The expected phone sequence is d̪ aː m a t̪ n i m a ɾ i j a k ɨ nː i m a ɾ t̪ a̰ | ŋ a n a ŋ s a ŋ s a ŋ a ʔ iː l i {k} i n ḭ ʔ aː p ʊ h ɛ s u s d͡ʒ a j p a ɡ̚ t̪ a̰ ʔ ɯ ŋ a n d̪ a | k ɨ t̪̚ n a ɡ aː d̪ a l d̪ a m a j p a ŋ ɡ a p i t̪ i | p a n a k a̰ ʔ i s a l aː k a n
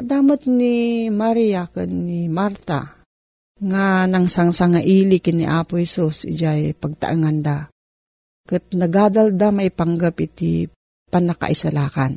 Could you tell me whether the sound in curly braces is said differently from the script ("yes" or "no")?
no